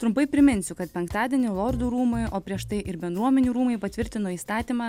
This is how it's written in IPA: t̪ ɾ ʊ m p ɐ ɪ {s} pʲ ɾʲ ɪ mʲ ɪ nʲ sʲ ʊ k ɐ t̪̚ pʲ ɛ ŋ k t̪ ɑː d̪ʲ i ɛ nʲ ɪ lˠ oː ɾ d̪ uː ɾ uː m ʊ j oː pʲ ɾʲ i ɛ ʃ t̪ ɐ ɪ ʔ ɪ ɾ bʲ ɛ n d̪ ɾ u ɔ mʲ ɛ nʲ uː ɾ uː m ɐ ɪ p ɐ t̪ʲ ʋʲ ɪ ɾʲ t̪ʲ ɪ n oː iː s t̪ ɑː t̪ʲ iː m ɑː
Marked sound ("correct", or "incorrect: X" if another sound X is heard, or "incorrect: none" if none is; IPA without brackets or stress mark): incorrect: none